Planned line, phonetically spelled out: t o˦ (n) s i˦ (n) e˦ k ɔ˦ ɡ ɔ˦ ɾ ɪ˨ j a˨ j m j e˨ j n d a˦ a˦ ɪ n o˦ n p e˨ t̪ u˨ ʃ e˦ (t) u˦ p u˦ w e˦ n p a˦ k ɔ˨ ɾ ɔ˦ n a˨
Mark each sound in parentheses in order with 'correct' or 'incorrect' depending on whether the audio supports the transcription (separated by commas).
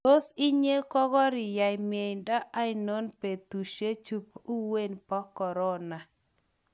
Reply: incorrect, incorrect, incorrect